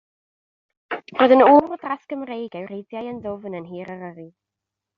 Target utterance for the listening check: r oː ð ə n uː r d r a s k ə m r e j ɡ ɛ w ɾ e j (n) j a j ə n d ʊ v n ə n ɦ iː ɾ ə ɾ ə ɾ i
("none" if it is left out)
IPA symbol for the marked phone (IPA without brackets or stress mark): d